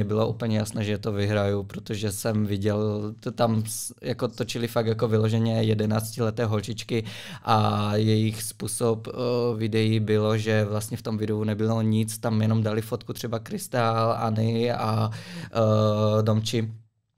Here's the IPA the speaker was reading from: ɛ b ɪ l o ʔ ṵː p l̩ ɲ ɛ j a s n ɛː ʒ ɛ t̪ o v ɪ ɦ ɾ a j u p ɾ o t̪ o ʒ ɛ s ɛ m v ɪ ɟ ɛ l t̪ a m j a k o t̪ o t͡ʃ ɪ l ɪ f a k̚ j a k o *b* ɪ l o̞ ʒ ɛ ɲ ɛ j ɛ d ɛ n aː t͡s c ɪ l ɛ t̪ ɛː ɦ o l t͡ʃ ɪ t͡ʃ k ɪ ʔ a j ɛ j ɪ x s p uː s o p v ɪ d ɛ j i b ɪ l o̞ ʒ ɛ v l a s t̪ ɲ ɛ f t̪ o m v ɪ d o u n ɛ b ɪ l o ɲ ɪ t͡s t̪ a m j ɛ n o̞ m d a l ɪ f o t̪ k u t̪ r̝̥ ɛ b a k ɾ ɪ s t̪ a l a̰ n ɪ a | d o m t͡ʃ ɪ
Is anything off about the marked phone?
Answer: yes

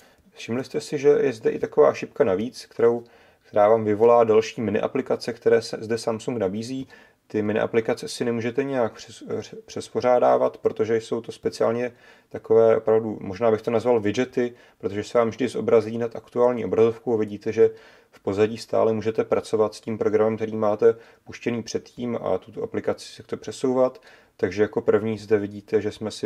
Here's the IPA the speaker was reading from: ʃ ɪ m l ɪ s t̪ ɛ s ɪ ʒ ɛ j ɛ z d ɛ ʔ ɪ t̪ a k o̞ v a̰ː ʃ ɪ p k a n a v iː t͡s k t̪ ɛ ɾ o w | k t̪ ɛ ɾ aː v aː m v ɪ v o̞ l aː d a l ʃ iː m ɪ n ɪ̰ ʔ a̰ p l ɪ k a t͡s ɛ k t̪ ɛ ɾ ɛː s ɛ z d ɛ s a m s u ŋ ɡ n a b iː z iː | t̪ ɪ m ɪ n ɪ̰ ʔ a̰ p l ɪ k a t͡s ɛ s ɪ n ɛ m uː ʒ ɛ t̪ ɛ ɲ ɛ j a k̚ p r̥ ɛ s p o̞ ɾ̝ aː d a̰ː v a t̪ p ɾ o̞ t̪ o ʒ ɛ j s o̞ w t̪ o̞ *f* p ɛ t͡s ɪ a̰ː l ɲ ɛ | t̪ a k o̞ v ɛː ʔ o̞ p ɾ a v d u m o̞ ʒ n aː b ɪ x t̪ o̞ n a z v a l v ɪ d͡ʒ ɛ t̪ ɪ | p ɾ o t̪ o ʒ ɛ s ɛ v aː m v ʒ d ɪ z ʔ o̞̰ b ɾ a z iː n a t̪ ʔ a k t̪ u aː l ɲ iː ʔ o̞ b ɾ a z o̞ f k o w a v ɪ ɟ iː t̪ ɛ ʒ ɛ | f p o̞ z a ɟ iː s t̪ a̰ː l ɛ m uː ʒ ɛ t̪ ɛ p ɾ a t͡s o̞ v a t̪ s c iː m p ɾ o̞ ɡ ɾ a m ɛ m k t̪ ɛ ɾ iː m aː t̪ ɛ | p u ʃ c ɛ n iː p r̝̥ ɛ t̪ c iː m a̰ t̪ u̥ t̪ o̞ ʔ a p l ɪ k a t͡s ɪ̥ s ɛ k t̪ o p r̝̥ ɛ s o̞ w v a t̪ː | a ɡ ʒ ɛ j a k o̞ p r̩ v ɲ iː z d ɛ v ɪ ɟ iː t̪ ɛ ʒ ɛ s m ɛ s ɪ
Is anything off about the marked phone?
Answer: yes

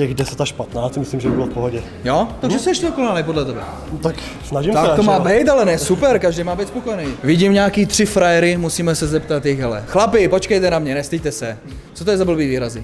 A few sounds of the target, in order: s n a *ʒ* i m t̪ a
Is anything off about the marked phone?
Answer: no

